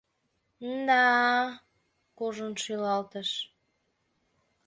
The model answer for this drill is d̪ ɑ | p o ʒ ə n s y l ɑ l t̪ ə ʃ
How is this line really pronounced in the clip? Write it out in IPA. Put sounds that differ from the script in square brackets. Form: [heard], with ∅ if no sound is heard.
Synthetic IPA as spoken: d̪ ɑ | [k] o ʒ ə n [ʃ] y l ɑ l t̪ ə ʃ